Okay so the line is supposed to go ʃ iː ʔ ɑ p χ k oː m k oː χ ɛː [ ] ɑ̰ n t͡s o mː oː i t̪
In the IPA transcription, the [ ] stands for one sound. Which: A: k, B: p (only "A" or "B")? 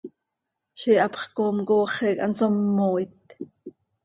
A